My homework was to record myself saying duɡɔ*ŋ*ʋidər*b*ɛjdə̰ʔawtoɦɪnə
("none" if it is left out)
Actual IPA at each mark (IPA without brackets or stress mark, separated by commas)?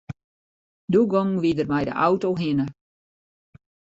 ŋ, m